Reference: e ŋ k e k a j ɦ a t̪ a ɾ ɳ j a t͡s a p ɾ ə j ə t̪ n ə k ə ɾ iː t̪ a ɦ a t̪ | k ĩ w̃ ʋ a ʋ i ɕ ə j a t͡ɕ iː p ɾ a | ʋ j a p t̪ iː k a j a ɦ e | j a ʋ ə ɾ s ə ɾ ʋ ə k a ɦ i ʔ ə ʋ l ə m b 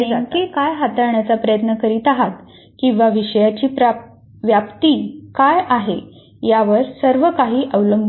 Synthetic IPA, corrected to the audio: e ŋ k e k a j ɦ a t̪ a ɾ ɳ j a t͡s a p ɾ ə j ə t̪ n ə k ə ɾ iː t̪ a ɦ a t̪ | k ĩ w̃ ʋ a ʋ i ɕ ə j a t͡ɕ iː p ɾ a | ʋ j a p t̪ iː k a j a ɦ e | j a ʋ ə ɾ s ə ɾ ʋ ə k a ɦ iː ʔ ə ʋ l ə m b